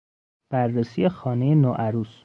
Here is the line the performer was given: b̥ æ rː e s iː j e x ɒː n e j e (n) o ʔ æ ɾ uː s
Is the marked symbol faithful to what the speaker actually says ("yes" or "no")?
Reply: yes